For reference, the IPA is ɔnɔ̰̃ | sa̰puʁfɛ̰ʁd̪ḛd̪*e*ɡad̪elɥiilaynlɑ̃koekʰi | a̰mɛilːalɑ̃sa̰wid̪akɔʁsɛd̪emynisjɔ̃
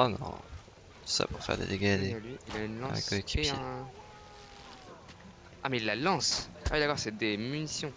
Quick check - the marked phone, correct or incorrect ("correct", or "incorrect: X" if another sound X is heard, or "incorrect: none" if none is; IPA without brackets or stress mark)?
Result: correct